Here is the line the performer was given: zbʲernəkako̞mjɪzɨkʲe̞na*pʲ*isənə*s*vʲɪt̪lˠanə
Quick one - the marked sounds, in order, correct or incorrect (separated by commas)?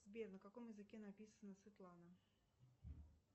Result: correct, correct